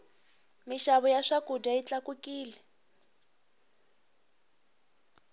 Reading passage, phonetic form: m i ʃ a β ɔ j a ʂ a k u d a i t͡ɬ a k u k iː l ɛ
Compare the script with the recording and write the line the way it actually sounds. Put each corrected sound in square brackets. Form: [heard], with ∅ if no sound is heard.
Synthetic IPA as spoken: m i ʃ a β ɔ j a ʂ a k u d a i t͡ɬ a k u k iː l ɛ